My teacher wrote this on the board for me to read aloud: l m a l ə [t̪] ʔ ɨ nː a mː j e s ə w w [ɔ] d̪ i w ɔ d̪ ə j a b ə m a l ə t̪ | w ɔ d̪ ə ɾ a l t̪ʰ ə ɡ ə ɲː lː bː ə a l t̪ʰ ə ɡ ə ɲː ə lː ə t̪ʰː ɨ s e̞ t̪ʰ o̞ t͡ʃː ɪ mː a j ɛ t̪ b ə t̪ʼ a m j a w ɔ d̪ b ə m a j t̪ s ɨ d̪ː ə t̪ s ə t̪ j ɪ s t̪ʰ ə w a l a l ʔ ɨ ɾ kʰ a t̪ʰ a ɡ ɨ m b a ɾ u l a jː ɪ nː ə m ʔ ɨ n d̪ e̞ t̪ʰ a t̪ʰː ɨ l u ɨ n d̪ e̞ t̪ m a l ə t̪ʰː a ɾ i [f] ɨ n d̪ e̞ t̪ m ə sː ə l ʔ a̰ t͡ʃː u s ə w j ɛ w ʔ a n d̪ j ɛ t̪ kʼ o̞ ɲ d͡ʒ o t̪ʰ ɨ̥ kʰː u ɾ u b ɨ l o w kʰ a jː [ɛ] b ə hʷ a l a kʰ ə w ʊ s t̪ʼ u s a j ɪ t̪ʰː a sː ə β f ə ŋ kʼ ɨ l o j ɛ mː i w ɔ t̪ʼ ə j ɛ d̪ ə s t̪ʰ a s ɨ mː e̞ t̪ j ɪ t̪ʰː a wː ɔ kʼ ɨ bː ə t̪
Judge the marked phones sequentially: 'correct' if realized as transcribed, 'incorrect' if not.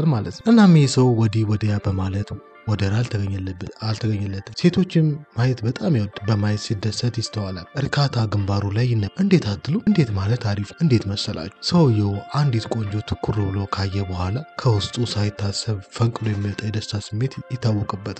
correct, correct, correct, correct

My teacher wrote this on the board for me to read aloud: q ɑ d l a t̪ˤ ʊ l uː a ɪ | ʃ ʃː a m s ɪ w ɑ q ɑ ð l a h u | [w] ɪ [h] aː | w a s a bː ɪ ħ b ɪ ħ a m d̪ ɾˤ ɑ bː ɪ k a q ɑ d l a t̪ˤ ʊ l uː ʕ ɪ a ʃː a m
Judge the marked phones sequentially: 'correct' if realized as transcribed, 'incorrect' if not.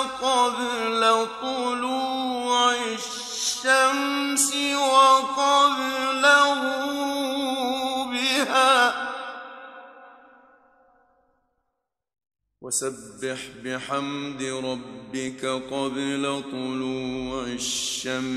incorrect, correct

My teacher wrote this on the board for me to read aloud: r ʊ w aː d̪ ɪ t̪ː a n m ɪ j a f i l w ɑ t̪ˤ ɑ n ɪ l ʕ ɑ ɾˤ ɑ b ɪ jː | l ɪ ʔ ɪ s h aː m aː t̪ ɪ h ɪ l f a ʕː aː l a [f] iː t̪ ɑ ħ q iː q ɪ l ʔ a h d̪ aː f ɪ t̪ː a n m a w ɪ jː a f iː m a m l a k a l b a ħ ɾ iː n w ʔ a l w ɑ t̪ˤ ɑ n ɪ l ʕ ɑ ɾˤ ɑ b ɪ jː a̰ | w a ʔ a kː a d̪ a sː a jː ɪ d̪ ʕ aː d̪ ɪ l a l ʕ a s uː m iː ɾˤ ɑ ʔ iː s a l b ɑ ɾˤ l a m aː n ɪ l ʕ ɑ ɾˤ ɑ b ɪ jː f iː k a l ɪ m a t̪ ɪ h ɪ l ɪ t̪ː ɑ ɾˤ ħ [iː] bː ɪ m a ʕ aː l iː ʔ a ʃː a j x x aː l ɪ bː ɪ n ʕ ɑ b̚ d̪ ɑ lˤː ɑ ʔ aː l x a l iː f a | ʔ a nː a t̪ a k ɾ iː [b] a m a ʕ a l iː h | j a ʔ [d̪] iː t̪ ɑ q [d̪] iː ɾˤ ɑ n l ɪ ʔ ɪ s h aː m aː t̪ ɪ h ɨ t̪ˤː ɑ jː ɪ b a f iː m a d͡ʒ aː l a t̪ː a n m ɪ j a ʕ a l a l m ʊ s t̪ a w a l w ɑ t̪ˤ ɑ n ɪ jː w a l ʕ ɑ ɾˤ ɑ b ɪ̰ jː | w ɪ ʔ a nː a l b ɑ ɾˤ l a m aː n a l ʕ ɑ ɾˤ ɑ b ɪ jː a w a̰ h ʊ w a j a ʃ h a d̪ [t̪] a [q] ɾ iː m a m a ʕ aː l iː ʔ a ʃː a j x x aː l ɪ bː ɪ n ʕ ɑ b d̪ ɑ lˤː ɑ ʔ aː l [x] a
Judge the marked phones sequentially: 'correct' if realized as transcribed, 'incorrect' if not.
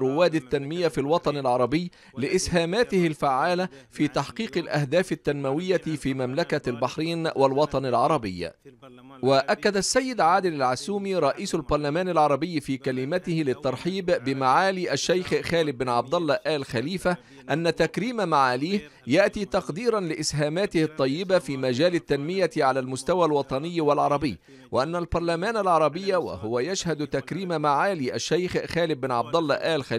correct, correct, incorrect, incorrect, correct, correct, incorrect, correct

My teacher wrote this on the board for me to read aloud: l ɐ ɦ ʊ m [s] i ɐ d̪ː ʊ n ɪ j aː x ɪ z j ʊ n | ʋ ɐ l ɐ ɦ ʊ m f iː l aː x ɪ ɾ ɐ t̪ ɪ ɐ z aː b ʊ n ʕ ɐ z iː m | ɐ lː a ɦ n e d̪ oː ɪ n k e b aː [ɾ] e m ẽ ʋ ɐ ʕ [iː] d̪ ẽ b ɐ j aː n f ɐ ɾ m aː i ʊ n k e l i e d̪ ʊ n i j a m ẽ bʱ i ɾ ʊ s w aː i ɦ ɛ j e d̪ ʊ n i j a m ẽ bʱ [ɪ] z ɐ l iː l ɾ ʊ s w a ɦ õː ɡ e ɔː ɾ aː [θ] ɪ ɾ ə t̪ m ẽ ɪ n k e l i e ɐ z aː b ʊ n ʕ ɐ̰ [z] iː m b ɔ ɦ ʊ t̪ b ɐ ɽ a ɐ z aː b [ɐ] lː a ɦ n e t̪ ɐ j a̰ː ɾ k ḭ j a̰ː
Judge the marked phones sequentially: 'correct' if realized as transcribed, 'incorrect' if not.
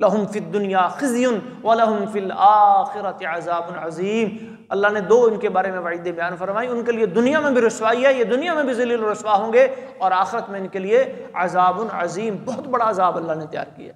incorrect, correct, correct, incorrect, incorrect, correct, correct

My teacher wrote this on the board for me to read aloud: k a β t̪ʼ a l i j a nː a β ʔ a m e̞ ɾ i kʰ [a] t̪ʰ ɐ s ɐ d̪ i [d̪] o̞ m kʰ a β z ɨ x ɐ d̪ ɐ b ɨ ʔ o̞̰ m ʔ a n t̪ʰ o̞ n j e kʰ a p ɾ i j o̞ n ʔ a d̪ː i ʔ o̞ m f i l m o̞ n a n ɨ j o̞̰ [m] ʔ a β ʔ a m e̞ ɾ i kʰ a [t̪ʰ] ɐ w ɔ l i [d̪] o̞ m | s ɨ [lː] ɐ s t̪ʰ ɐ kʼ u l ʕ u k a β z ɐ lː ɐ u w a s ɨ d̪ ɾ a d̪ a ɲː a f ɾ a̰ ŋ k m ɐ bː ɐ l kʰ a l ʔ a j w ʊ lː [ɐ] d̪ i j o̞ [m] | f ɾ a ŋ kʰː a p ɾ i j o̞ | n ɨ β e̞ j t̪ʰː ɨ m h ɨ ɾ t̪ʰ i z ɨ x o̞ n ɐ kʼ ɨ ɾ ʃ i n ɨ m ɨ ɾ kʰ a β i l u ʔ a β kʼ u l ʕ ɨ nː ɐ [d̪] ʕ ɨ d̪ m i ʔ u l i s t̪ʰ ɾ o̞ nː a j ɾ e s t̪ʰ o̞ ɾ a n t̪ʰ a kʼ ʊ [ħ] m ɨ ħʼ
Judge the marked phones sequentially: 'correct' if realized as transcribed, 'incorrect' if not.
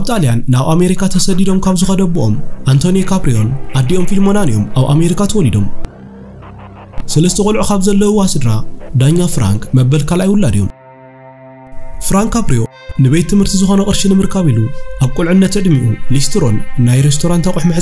correct, correct, correct, correct, correct, incorrect, incorrect, correct, incorrect, correct

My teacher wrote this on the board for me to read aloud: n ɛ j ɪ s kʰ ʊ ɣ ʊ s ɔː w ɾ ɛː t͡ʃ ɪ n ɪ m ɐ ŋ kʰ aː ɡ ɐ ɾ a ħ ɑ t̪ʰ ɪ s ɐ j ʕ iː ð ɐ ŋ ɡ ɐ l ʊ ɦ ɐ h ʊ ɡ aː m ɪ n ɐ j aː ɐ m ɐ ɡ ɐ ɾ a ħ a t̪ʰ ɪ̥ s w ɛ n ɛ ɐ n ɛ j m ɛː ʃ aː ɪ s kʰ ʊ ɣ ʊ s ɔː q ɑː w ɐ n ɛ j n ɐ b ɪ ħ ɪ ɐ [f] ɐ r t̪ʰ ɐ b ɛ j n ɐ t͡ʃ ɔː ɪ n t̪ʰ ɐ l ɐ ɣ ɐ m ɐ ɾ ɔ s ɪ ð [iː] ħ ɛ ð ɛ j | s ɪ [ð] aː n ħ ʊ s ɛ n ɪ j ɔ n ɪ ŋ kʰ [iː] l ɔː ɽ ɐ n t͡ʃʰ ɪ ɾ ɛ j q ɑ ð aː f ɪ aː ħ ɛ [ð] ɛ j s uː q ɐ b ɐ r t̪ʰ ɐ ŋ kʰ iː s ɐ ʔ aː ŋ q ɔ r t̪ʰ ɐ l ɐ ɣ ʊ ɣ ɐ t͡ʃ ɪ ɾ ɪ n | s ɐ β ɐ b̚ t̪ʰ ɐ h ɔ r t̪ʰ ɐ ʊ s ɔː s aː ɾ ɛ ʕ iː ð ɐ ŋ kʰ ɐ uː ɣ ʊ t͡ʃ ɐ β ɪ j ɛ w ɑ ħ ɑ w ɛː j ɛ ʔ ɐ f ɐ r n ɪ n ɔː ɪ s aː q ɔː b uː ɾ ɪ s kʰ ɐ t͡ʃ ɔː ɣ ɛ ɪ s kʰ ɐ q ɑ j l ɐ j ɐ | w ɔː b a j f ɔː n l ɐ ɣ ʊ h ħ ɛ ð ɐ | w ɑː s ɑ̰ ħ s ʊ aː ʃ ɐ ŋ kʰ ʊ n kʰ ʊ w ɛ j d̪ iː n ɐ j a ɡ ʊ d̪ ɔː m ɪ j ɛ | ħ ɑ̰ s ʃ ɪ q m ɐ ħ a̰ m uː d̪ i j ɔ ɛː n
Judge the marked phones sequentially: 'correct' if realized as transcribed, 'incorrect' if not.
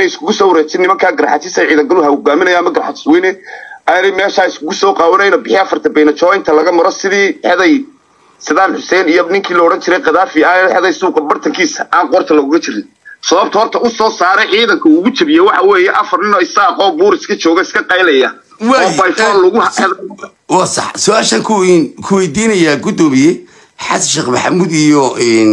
correct, correct, correct, correct, correct

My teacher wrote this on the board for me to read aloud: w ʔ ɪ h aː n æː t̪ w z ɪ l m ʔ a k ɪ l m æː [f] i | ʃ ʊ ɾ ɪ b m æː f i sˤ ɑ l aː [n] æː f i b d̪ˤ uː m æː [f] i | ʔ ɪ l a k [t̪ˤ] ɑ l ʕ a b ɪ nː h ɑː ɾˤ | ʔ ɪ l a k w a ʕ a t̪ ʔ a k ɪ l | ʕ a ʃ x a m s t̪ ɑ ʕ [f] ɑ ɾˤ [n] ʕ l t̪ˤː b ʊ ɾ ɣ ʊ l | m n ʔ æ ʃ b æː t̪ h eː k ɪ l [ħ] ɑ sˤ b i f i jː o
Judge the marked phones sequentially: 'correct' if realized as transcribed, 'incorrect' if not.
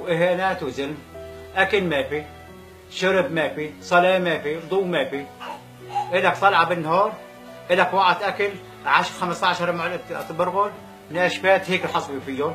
correct, incorrect, correct, correct, incorrect, incorrect, correct

